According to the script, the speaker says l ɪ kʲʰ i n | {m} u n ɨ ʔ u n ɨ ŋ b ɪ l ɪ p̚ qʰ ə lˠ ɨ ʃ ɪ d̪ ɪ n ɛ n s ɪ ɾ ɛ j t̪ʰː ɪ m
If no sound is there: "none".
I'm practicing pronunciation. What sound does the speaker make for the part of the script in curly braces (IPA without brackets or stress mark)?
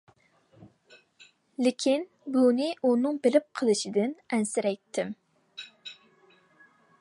b